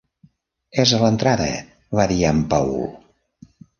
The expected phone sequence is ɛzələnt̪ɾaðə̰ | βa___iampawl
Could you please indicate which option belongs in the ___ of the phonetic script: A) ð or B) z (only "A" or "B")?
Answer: A